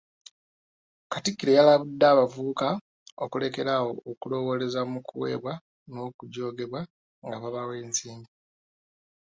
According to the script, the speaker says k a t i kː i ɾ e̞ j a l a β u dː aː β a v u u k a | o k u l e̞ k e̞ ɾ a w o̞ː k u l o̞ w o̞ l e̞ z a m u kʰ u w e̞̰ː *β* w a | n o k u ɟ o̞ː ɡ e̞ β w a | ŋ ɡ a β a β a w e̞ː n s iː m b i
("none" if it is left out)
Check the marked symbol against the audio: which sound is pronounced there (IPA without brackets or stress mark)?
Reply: β